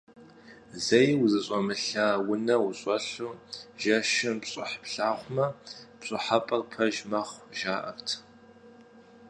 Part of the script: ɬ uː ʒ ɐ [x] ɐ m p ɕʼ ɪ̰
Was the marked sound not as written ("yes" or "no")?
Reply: yes